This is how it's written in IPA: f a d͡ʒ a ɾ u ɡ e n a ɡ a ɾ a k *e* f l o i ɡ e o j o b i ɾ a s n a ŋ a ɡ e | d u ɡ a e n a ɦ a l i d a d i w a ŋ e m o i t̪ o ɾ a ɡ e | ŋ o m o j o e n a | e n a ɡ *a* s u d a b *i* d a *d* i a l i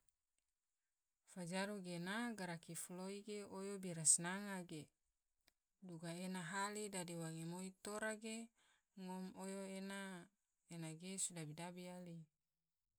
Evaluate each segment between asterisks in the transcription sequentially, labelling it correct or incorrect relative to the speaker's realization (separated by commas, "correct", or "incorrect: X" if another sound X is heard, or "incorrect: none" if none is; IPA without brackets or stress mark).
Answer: incorrect: i, incorrect: e, correct, incorrect: b